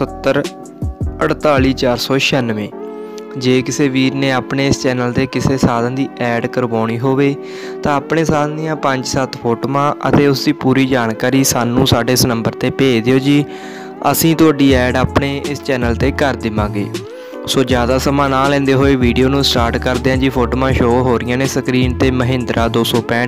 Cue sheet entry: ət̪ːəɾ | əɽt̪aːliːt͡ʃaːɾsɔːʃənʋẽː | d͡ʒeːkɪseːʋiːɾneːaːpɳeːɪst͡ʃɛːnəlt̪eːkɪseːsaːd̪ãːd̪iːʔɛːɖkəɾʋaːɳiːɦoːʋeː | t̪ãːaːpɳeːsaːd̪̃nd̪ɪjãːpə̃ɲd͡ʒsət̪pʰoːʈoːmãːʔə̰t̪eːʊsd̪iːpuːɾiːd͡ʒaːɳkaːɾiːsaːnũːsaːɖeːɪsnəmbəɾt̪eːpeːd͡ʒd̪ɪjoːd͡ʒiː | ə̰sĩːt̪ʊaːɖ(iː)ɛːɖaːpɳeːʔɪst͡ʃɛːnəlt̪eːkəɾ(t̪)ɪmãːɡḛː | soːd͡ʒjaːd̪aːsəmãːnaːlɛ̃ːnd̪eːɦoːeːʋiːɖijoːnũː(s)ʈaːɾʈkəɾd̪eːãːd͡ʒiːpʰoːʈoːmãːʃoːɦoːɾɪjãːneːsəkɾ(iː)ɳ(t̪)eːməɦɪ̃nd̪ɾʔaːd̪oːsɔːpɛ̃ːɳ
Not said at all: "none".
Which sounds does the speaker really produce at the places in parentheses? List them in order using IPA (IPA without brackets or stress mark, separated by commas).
iː, d̪, s, iː, t̪